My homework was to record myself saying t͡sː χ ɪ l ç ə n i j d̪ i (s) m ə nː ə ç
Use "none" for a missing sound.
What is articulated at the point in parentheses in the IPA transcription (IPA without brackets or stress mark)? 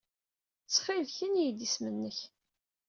s